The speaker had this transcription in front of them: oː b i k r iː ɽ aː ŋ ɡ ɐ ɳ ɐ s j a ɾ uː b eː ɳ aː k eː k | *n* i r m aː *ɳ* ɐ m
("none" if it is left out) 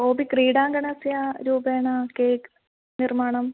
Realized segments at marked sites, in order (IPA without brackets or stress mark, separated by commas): n, ɳ